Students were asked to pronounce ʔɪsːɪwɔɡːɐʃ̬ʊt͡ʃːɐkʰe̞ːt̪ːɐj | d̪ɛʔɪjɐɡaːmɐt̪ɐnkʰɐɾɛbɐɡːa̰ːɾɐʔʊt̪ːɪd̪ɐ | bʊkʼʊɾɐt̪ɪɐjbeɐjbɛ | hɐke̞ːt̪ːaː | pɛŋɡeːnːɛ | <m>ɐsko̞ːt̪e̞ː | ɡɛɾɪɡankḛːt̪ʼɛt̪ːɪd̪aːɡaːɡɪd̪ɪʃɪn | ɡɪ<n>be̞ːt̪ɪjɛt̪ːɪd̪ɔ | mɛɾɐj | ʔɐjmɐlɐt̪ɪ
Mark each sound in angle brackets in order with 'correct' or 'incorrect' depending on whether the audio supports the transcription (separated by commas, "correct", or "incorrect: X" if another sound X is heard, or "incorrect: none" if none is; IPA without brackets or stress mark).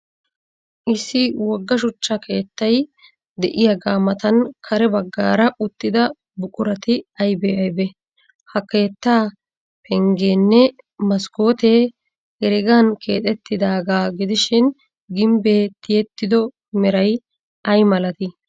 correct, incorrect: m